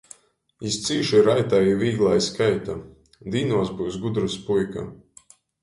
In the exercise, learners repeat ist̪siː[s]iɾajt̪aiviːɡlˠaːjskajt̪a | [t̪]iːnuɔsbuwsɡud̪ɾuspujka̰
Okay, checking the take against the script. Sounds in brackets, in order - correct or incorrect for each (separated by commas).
incorrect, incorrect